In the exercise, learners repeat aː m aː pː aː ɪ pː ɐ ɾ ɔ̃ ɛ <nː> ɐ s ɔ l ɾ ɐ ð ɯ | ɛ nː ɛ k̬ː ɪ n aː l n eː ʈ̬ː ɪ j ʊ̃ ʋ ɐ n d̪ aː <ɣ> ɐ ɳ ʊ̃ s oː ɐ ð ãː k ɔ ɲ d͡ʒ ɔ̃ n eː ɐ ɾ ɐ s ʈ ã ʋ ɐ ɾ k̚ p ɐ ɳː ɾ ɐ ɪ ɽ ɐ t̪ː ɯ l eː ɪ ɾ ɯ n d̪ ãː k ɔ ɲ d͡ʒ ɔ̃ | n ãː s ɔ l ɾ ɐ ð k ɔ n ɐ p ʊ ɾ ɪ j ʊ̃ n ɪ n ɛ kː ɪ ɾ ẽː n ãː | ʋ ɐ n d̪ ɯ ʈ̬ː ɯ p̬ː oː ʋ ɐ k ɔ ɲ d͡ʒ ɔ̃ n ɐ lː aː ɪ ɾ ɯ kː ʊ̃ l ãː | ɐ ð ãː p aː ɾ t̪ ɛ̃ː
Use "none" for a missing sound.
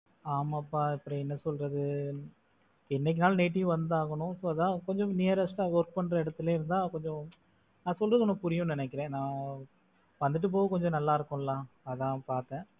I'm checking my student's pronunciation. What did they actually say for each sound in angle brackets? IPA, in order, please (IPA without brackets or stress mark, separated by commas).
nː, ɣ